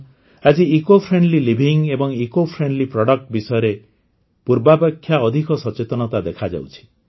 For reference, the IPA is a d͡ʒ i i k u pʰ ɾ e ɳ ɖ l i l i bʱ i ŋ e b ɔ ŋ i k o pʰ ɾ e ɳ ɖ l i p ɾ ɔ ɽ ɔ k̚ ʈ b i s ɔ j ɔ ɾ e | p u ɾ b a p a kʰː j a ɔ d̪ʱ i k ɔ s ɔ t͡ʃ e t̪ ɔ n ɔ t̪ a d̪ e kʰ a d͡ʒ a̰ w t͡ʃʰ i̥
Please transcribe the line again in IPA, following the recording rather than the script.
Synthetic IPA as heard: a d͡ʒ i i k o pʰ ɾ e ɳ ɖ l i l i bʱ i ŋ e b ɔ ŋ i k o pʰ ɾ e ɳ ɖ l i p ɾ ɔ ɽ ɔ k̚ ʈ b i s ɔ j ɔ ɾ e | p u ɾ b a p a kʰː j a ɔ d̪ʱ i k ɔ s ɔ t͡ʃ e t̪ ɔ n ɔ t̪ a d̪ e kʰ a d͡ʒ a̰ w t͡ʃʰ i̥